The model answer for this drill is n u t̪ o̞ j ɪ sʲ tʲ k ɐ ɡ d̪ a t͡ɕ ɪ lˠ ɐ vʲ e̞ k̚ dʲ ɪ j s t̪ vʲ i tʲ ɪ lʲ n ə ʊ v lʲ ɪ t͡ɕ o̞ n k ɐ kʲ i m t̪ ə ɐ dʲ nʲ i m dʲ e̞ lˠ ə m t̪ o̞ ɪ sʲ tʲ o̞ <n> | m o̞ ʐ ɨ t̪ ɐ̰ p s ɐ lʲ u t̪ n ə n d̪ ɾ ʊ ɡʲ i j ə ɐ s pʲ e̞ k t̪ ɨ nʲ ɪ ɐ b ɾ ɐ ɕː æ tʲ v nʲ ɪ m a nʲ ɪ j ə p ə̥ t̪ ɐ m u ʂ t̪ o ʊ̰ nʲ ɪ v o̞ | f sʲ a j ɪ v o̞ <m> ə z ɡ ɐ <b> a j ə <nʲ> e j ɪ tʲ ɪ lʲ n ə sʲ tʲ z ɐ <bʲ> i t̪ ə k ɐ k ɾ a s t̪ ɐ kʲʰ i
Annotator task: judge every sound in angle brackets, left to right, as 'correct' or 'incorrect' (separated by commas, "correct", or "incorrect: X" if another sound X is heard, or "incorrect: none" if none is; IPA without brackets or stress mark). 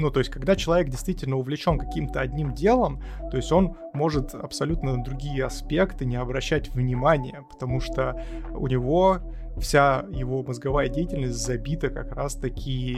correct, correct, incorrect: v, incorrect: dʲ, correct